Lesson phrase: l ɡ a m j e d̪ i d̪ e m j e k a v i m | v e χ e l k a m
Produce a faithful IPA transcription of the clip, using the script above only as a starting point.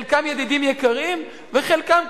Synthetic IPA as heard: l k a m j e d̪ i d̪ i m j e k a ʁ i m | v e χ e l k a m